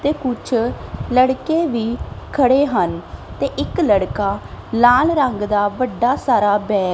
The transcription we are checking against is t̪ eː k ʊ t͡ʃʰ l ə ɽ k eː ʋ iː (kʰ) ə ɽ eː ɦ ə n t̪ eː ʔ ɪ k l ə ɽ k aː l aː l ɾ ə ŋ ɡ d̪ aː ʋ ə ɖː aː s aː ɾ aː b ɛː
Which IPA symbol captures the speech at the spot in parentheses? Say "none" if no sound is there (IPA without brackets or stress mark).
kʰ